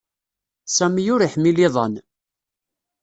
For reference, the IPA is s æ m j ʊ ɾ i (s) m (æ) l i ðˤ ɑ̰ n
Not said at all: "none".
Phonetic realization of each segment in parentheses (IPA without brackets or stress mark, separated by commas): ħ, i